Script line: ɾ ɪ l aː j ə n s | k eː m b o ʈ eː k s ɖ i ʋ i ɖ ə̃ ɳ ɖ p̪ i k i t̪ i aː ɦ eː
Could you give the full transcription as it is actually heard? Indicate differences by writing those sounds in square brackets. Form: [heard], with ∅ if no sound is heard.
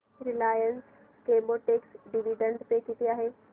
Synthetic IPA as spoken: ɾ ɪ l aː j ə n s | k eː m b o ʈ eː k s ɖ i ʋ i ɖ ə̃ ɳ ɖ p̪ [e] k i t̪ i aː ɦ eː